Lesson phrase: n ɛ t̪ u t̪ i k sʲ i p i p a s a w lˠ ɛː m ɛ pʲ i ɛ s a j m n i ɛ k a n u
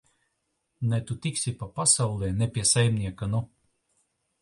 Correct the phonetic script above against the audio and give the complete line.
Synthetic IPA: n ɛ t̪ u t̪ i k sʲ i p a p a s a w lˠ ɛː n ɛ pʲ i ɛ s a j m n i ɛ k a n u